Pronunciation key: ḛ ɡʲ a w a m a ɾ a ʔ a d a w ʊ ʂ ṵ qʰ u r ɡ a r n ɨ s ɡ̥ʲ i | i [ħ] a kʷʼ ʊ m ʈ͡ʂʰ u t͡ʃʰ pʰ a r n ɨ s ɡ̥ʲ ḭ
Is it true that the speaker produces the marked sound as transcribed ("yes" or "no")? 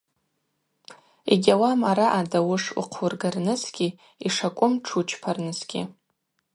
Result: no